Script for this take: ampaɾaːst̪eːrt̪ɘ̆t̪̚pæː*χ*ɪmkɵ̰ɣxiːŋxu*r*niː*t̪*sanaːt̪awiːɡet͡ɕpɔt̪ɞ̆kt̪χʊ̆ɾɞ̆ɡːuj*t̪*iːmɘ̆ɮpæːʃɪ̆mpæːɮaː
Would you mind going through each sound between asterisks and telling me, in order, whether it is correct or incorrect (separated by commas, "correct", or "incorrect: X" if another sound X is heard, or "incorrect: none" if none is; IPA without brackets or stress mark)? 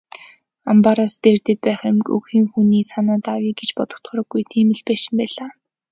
correct, incorrect: none, incorrect: none, incorrect: t̪ʰ